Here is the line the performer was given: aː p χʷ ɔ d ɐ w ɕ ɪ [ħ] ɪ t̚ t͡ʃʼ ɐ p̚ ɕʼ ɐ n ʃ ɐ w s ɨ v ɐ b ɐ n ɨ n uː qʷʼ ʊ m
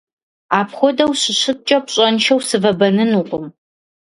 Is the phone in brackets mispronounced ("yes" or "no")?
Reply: yes